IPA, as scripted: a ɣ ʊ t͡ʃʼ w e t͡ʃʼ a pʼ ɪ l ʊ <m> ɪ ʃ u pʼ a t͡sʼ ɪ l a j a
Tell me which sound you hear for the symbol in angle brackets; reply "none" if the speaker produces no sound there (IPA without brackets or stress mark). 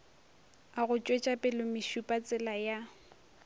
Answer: m